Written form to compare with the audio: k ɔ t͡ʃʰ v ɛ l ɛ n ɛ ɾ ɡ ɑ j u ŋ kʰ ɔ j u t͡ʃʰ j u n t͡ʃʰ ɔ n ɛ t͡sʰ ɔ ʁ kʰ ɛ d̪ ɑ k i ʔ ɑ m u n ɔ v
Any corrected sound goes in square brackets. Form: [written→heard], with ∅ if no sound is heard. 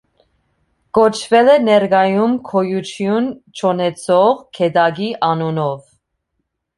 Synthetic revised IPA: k ɔ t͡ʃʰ v ɛ l ɛ n ɛ ɾ ɡ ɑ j u [ŋ→m] kʰ ɔ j u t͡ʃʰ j u n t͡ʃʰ ɔ n ɛ t͡sʰ ɔ ʁ kʰ ɛ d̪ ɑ [k→ɡ] i ʔ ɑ [m→n] u n ɔ v